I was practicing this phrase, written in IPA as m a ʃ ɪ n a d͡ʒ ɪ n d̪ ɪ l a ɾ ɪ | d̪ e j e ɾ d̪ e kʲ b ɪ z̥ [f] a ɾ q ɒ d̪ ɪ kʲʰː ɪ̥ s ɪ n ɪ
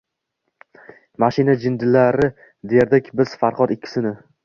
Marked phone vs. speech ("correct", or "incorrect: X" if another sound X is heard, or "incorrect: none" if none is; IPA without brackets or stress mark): correct